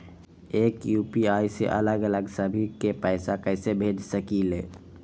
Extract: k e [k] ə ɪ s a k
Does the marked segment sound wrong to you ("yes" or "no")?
yes